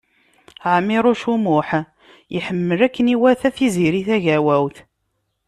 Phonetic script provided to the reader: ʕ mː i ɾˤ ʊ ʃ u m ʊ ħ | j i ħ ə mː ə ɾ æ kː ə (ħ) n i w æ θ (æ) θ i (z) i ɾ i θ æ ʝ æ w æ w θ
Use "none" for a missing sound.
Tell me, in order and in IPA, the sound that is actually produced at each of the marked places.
none, æ, z

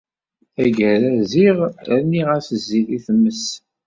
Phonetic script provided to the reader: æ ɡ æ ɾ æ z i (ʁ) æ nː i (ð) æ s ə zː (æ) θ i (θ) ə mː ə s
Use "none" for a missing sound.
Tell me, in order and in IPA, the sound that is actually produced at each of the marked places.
ʁ, ʁ, i, θ

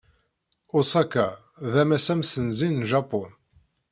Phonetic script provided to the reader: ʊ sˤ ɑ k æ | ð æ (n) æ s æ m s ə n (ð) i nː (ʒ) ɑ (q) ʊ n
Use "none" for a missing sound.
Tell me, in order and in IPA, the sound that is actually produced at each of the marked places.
m, z, ʒ, p

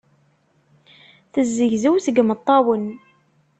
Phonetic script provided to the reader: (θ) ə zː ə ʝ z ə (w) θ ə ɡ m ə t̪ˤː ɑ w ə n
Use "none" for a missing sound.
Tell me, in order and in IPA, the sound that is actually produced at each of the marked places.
θ, w

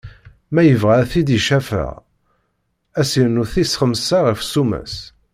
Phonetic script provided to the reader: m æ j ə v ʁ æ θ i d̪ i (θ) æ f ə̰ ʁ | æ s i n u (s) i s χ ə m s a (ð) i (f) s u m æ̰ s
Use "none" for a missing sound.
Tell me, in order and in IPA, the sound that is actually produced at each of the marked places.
ʃ, θ, ʁ, f

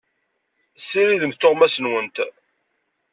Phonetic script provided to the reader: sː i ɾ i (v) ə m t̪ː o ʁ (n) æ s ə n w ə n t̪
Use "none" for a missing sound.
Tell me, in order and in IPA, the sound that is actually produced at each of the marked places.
ð, m

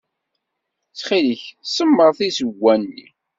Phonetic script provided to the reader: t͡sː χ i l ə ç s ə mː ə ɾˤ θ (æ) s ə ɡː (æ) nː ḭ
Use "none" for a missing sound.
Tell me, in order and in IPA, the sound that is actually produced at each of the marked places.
i, æ

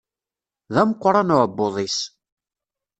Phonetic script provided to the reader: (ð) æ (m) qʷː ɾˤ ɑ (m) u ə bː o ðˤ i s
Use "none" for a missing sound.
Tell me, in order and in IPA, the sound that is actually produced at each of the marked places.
ð, m, n

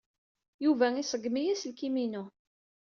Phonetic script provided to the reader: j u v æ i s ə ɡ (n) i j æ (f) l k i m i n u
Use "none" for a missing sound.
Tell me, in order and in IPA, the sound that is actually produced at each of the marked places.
m, s

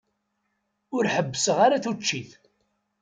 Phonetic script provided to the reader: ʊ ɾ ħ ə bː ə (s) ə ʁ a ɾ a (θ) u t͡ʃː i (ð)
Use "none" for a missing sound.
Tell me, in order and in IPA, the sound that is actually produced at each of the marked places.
s, θ, θ

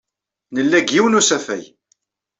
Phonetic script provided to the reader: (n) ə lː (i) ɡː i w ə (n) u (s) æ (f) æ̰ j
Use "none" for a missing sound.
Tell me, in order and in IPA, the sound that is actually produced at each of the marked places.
n, æ, n, s, f

